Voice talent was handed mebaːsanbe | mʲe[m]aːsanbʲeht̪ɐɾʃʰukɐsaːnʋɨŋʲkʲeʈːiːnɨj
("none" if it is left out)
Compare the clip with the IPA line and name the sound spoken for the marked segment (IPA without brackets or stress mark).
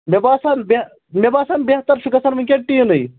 b